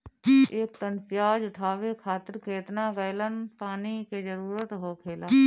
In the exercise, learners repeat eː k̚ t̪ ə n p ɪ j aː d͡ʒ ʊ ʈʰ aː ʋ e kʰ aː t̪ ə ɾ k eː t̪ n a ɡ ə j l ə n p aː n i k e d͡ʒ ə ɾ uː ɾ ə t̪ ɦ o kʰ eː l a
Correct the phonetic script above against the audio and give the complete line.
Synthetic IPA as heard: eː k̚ t̪ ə n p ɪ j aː d͡ʒ ʊ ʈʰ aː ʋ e kʰ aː t̪ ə ɾ k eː t̪ n a ɡ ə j l ə n p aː n i k e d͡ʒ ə ɾ uː ɾ ə t̪ ɦ o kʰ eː l a

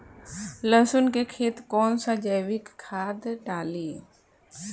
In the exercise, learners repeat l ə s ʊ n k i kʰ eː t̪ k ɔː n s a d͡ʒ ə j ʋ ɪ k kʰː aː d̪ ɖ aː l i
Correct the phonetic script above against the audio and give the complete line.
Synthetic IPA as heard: l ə s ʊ n k e kʰ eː t̪ k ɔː n s a d͡ʒ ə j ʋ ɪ k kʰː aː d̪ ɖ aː l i

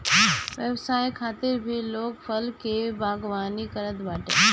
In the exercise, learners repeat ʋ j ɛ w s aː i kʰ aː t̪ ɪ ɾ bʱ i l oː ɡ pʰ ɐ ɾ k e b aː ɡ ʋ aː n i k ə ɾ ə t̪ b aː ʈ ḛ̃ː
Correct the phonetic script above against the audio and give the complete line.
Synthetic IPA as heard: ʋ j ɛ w s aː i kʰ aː t̪ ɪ ɾ bʱ i l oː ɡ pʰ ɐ l k e b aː ɡ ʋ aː n i k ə ɾ ə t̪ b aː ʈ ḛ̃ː

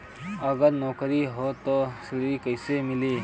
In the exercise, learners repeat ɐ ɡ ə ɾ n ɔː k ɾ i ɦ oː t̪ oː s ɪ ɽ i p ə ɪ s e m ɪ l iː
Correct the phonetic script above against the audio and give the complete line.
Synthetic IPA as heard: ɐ ɡ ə ɾ n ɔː k ɾ i ɦ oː t̪ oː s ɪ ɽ i k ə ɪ s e m ɪ l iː

